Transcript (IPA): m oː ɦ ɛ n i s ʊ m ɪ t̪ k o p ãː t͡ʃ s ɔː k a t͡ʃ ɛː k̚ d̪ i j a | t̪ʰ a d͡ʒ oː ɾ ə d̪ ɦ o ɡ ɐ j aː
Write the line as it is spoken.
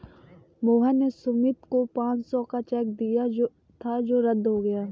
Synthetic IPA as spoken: m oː ɦ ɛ n e s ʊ m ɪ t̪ k o p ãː t͡ʃ s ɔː k a t͡ʃ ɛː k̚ d̪ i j a | t̪ʰ a d͡ʒ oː ɾ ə d̪ ɦ o ɡ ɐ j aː